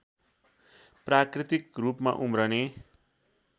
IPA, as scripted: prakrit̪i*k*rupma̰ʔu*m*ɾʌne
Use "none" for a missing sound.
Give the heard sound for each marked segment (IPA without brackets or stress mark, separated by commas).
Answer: k, m